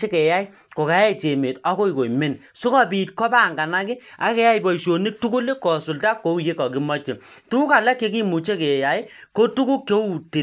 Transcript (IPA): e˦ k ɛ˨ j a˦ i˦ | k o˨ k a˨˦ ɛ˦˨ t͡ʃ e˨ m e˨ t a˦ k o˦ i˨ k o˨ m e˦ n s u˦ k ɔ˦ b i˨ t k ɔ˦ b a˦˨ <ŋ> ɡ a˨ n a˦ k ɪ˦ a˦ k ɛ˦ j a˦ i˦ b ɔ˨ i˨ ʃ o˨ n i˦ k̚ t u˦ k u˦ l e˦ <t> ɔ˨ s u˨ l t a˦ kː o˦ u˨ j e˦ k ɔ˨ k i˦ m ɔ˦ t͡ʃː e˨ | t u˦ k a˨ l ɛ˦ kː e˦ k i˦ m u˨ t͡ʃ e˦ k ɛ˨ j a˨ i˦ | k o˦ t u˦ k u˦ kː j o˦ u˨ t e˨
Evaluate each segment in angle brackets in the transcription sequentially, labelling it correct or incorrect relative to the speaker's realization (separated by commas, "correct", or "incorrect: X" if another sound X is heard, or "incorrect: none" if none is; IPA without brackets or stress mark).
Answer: correct, incorrect: k